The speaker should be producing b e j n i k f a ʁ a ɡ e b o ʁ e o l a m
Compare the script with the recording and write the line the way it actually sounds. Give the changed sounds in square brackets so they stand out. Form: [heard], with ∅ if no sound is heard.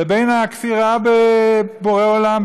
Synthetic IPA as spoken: b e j n [a] k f [i] ʁ a [b] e b o ʁ e o l a m